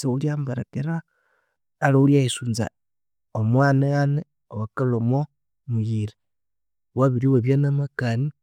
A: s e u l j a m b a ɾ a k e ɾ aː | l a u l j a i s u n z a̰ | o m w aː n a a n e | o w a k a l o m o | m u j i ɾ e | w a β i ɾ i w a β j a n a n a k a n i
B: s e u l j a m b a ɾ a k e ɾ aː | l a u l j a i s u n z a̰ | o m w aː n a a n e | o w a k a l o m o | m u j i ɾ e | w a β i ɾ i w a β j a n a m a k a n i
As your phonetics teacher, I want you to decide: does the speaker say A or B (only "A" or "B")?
B